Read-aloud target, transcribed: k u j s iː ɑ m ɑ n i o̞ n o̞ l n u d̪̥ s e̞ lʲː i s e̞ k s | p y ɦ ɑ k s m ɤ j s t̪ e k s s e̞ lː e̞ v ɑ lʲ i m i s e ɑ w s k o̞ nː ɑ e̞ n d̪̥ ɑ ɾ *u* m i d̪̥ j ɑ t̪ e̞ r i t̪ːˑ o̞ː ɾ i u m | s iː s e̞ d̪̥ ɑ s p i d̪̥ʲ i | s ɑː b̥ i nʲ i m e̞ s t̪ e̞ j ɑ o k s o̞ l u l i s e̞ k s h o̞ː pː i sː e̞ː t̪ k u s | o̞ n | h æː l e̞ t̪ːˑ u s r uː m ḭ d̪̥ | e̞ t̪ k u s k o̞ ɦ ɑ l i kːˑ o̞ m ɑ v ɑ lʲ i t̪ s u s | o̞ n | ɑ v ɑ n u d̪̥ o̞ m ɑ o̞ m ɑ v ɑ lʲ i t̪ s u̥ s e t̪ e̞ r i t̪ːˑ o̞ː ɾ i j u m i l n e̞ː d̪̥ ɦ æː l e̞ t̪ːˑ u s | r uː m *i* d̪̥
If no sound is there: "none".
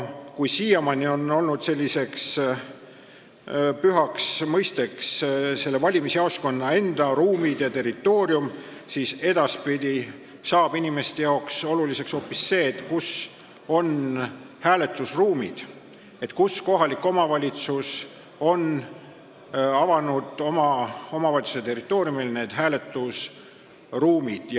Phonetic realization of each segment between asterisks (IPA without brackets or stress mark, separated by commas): uː, i